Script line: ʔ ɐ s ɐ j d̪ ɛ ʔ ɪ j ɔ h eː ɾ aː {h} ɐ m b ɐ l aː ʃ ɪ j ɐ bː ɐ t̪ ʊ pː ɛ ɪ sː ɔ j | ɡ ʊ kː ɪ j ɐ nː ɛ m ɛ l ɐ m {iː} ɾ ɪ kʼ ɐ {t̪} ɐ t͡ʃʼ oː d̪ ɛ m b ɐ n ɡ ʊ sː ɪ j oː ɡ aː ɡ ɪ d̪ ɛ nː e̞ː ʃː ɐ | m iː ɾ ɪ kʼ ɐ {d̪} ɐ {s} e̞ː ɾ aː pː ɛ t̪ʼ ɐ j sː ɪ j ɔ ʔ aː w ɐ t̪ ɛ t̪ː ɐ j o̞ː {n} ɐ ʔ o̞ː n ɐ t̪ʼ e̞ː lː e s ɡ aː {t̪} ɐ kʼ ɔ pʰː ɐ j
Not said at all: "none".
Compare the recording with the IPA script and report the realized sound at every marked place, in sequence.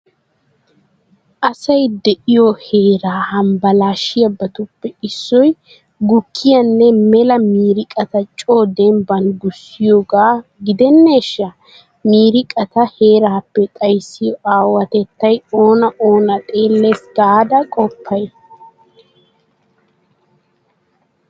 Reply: h, iː, t̪, t̪, h, n, d̪

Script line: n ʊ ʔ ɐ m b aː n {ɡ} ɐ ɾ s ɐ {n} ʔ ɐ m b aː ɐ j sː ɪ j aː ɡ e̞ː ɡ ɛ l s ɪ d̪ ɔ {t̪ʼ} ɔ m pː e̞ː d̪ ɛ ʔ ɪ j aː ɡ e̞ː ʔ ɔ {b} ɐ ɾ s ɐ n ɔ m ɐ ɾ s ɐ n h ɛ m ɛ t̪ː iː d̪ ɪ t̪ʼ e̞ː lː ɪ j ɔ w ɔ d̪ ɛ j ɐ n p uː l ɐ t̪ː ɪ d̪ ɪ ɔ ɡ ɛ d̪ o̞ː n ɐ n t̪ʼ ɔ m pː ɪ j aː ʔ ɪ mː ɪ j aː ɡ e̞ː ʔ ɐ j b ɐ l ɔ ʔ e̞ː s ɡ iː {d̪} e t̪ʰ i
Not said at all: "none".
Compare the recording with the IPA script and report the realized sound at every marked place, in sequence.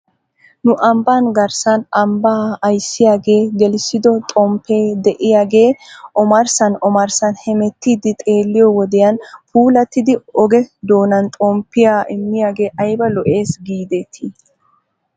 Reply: ɡ, n, t̪ʼ, m, d̪

